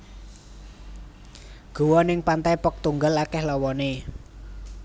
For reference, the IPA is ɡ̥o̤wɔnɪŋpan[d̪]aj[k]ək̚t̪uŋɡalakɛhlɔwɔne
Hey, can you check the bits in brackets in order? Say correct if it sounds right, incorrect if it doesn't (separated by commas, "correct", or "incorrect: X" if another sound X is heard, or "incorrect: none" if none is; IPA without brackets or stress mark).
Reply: incorrect: t̪, incorrect: p